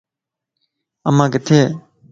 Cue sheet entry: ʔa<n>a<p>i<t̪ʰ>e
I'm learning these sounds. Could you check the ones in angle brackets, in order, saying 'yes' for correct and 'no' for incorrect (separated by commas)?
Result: no, no, yes